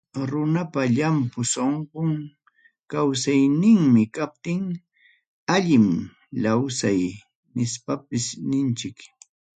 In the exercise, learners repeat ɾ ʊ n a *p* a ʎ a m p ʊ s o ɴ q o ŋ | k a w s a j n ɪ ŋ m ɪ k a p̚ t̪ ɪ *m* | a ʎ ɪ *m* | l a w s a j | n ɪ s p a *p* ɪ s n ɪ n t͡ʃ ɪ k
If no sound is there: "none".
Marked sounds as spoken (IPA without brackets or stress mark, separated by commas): p, ŋ, m, p